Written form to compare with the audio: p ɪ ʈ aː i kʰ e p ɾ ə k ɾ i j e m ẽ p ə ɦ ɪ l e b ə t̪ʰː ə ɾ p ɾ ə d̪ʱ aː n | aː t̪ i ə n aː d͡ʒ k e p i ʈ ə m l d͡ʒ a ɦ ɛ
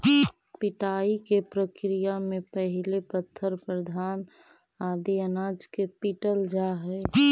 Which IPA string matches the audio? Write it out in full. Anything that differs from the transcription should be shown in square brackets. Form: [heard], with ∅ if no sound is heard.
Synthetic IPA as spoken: p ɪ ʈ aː i [k] e p ɾ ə k ɾ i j [a] m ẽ p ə ɦ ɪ l e [p] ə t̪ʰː ə ɾ p ɾ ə d̪ʱ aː n | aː [d̪] i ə n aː d͡ʒ k e p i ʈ ə [∅] l d͡ʒ a ɦ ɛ